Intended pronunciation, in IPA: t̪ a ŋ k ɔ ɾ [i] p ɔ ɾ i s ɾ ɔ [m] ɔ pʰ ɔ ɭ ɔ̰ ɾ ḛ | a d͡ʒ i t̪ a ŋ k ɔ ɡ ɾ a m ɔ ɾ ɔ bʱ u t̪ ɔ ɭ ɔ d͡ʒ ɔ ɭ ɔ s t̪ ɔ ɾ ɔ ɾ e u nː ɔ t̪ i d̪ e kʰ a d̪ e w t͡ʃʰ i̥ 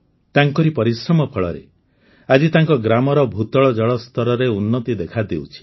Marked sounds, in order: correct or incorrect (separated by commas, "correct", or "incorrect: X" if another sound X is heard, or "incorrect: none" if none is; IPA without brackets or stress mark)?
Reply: correct, correct